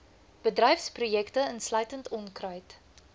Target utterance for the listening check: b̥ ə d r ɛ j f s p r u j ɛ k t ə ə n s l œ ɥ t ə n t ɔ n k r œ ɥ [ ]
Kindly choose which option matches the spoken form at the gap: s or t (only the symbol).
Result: t